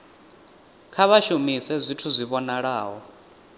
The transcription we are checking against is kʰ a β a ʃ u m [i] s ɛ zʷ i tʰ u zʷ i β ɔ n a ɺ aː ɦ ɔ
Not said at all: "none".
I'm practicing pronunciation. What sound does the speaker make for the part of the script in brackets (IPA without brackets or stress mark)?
i